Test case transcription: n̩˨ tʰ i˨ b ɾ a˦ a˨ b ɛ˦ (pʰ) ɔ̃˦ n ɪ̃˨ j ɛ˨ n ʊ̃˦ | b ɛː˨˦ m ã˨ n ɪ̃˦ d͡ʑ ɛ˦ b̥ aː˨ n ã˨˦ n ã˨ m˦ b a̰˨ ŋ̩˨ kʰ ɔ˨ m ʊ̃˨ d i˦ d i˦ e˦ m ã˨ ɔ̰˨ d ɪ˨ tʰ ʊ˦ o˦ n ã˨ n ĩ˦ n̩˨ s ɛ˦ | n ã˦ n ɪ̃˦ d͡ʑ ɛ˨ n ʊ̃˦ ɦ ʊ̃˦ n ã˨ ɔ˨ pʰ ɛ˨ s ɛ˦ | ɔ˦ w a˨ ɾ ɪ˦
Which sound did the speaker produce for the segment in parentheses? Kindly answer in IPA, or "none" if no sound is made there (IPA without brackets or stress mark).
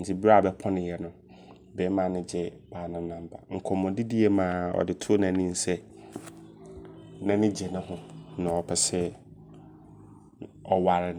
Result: pʰ